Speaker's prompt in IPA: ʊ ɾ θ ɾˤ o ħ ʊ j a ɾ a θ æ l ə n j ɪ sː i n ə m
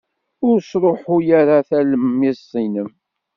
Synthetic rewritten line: ʊ ɾ s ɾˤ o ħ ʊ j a ɾ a θ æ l ə m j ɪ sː i n ə m